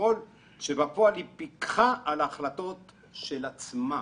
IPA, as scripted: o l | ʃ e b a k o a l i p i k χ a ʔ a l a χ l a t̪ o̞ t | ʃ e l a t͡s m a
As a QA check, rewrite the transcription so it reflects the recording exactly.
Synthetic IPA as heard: o l | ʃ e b a p o a l i p i k χ a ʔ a l a χ l a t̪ o̞ t | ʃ e l a t͡s m a